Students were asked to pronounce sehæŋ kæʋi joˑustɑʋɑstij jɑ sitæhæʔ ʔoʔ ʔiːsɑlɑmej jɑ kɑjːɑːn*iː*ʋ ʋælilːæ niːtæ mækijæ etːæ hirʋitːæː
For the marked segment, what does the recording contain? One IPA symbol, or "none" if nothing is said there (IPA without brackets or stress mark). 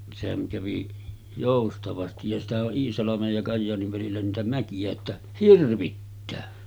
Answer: i